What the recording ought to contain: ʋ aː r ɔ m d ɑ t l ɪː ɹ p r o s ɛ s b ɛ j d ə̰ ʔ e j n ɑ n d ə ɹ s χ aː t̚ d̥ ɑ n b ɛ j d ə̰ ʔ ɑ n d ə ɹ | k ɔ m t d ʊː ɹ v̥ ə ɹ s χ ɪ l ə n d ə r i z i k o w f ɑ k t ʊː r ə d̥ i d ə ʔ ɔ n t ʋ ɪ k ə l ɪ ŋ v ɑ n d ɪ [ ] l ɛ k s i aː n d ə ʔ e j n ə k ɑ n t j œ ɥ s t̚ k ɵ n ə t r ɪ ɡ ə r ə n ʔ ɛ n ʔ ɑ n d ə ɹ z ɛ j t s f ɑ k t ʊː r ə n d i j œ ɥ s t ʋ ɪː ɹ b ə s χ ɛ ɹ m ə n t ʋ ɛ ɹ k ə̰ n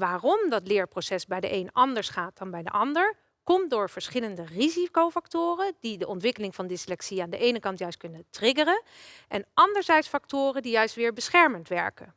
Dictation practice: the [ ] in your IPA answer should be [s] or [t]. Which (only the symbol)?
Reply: s